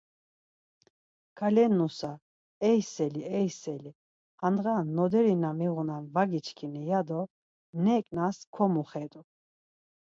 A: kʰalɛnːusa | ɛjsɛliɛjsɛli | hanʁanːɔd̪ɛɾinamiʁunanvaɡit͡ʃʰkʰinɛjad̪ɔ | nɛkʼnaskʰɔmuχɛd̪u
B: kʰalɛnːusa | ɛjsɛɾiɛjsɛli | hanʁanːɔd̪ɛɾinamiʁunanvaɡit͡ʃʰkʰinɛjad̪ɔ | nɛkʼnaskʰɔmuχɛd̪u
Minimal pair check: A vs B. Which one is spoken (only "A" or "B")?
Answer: A